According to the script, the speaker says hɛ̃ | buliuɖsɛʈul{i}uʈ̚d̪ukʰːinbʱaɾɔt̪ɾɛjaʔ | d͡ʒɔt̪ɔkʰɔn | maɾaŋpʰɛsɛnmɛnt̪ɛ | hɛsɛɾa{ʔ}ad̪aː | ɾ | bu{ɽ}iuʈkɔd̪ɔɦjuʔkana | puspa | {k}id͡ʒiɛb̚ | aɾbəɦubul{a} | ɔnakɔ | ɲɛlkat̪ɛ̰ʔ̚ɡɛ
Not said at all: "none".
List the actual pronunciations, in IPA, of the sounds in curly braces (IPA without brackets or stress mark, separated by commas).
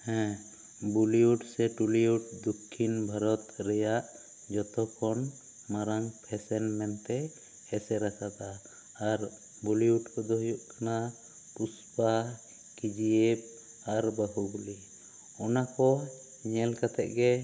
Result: i, k, l, k, i